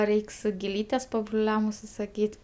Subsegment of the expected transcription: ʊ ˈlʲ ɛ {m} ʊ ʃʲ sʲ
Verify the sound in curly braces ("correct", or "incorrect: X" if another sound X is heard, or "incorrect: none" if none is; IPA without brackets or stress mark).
correct